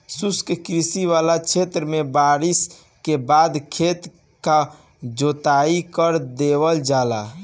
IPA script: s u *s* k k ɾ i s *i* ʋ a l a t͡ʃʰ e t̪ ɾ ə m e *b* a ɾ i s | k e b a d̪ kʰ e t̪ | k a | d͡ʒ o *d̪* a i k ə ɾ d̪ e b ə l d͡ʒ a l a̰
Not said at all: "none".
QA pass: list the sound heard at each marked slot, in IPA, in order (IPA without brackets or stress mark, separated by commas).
s, i, b, t̪